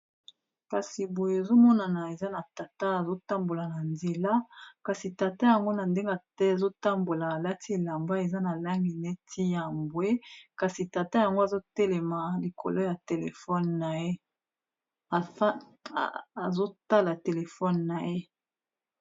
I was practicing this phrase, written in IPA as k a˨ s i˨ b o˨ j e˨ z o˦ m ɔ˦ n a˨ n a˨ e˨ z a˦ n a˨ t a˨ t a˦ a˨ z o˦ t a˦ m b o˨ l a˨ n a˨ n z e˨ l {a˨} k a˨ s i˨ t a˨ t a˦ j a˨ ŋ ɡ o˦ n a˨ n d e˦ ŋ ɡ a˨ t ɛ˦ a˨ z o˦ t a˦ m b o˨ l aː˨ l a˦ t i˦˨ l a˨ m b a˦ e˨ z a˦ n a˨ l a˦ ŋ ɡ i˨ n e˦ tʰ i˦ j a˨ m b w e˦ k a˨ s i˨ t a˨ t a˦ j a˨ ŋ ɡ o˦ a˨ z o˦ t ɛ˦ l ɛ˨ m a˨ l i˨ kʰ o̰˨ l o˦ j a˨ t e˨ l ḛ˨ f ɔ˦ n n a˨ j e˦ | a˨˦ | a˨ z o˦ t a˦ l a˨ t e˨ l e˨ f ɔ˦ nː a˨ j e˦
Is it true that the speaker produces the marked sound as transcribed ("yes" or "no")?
no